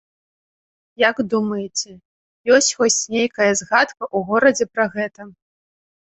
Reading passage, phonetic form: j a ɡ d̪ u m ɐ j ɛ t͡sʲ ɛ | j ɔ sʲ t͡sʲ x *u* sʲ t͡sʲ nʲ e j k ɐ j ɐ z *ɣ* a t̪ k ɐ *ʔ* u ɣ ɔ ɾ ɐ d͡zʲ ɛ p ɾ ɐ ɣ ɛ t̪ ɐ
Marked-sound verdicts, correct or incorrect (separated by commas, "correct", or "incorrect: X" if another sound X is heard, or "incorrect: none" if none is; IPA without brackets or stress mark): incorrect: ɔ, correct, correct